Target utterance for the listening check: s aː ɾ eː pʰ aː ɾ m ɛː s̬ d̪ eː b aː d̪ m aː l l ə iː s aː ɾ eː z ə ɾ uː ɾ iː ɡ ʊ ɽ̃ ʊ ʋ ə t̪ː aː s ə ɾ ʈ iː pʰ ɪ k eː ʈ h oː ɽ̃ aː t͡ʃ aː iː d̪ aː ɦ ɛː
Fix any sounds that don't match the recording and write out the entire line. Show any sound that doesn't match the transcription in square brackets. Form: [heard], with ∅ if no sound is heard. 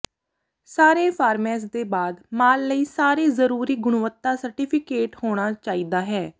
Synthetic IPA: s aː ɾ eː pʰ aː ɾ m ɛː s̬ d̪ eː b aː d̪ m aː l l ə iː s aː ɾ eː z ə ɾ uː ɾ iː ɡ ʊ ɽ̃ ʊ ʋ ə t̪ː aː s ə ɾ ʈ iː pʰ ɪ k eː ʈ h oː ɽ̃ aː t͡ʃ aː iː d̪ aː ɦ ɛː